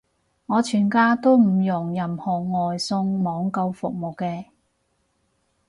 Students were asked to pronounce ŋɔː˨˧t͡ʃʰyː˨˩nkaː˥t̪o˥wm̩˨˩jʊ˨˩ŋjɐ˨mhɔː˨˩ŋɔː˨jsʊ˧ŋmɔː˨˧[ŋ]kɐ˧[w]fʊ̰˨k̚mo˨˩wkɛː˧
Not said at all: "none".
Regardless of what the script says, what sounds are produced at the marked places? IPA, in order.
ŋ, w

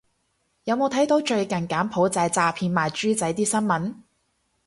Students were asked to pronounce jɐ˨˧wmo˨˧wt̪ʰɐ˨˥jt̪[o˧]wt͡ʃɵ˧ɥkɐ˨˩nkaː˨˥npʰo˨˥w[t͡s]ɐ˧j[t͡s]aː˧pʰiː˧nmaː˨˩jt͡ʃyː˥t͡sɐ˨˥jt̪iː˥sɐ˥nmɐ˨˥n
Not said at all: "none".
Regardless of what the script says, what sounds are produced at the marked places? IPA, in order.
o˨˥, t͡s, t͡s

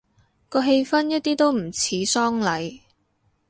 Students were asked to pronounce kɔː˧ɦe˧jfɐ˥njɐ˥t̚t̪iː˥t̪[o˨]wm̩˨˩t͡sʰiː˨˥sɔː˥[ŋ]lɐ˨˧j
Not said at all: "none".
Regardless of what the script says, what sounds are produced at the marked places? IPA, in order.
o˥, ŋ

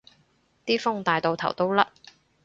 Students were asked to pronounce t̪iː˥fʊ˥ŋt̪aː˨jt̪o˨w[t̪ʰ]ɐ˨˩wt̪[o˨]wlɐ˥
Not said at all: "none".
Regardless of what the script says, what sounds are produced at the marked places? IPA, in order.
t̪ʰ, o˥

